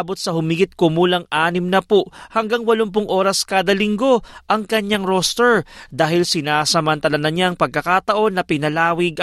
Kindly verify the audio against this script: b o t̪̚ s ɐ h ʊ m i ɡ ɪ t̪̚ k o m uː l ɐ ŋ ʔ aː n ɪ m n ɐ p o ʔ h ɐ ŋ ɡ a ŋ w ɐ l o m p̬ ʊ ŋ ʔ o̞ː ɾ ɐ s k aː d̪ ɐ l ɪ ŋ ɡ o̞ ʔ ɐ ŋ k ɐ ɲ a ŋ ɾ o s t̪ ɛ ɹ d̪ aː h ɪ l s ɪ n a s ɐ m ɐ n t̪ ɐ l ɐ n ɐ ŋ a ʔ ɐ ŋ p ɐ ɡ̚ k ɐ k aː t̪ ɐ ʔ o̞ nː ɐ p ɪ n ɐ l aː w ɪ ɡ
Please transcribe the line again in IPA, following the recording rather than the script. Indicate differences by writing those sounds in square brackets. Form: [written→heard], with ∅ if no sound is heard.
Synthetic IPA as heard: b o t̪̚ s ɐ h ʊ m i ɡ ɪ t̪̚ k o m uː l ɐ ŋ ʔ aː n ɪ m n ɐ p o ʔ h ɐ ŋ ɡ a ŋ w ɐ l o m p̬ ʊ ŋ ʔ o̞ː ɾ ɐ s k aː d̪ ɐ l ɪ ŋ ɡ o̞ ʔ ɐ ŋ k ɐ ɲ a ŋ ɾ o s t̪ ɛ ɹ d̪ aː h ɪ l s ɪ n a s ɐ m ɐ n t̪ ɐ l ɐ n ɐ [ŋ→ɲ] a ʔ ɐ ŋ p ɐ ɡ̚ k ɐ k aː t̪ ɐ ʔ o̞ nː ɐ p ɪ n ɐ l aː w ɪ ɡ